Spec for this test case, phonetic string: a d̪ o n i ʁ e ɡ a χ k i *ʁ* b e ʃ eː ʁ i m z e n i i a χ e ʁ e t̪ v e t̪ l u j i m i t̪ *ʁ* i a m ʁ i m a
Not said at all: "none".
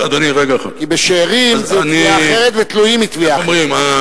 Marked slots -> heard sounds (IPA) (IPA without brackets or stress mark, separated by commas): none, v